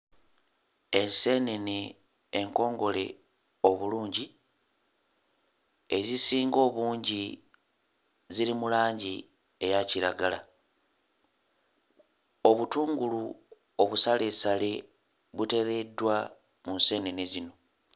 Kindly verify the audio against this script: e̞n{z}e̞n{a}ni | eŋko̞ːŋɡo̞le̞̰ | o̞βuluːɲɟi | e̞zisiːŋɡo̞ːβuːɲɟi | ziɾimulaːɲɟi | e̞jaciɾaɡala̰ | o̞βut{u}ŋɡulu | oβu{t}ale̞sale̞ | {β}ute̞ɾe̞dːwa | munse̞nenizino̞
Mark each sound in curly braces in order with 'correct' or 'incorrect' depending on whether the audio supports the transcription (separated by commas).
incorrect, incorrect, incorrect, incorrect, correct